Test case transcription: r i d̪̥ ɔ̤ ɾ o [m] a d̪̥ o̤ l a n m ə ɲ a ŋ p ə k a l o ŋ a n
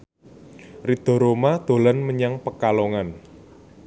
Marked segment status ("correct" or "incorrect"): correct